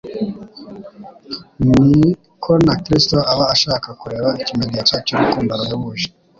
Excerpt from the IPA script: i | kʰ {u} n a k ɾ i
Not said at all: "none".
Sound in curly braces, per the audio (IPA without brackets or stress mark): o